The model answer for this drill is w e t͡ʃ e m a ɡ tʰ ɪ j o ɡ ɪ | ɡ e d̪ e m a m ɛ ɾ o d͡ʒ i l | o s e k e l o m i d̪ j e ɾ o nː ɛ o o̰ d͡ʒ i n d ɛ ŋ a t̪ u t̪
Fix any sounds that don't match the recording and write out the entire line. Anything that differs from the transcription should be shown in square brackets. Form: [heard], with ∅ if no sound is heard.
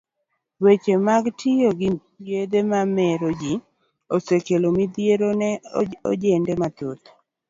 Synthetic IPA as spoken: w e t͡ʃ e m a ɡ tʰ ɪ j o ɡ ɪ | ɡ e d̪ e m a m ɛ ɾ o d͡ʒ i [∅] | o s e k e l o m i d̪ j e ɾ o [n] ɛ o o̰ d͡ʒ [e] n d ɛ [m] a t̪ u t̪